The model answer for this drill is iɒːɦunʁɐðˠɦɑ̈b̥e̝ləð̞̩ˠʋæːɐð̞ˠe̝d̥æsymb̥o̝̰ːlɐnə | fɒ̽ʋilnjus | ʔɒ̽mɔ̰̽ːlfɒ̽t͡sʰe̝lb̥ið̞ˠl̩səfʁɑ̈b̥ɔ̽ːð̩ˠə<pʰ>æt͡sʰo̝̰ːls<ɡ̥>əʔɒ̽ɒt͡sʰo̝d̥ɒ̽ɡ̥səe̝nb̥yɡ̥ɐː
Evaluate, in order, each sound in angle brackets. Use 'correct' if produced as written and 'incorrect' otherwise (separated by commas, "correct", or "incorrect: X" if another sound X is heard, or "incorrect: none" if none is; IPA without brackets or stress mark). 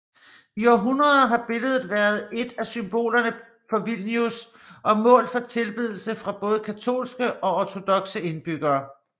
incorrect: kʰ, correct